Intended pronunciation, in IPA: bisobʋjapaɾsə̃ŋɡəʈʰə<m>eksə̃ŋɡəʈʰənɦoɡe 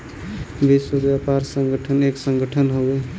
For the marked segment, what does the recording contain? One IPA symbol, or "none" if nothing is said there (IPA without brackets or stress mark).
n